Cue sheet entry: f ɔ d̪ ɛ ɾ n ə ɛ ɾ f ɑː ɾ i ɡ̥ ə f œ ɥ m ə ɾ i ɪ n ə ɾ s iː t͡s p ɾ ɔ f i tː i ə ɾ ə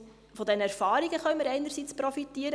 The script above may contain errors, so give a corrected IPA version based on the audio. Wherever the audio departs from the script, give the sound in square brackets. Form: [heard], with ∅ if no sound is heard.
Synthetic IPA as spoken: f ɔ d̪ ɛ [∅] n ə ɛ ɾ f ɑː ɾ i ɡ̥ ə [χ] œ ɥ m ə ɾ [ɛ] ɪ n ə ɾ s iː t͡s p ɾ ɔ f i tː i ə ɾ ə